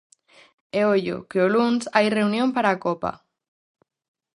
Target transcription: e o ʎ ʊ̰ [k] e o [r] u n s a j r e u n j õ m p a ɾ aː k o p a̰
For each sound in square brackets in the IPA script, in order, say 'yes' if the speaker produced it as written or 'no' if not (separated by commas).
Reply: yes, no